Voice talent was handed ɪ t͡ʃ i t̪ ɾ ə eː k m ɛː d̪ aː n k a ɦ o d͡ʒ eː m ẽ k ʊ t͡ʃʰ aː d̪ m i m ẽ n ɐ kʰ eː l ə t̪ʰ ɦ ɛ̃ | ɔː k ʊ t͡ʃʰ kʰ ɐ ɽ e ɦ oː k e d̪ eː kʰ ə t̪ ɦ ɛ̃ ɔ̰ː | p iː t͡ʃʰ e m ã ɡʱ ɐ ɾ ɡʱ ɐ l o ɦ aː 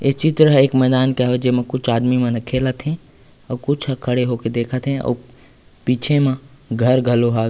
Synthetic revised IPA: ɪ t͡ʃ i t̪ ɾ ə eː k m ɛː d̪ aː n k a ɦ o d͡ʒ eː m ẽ k ʊ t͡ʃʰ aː d̪ m i m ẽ n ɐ kʰ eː l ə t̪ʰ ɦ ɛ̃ | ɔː k ʊ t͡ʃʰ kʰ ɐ ɽ e ɦ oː k e d̪ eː kʰ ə t̪ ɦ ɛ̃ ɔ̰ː | p iː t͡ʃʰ e m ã ɡʱ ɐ ɾ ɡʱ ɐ l o ɦ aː